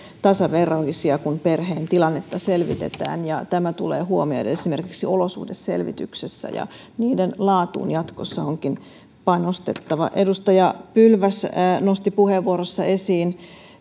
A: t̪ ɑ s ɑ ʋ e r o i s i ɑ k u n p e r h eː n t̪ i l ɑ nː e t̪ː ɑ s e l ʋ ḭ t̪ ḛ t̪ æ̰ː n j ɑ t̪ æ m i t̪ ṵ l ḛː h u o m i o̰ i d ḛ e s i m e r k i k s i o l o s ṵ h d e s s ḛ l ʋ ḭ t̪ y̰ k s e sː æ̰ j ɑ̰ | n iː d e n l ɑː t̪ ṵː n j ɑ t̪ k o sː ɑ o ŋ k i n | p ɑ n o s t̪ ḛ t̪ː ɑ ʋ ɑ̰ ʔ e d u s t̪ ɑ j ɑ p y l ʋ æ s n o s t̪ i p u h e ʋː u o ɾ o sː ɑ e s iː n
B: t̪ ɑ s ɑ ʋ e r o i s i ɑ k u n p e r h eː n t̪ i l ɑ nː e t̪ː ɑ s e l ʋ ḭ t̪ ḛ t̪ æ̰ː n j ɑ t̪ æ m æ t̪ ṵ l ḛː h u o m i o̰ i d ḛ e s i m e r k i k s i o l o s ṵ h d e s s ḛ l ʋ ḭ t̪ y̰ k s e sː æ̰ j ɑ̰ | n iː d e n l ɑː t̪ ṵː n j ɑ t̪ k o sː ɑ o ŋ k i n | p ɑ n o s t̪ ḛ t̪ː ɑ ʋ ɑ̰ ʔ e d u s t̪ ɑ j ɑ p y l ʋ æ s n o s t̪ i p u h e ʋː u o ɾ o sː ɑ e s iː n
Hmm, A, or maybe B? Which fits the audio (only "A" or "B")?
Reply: B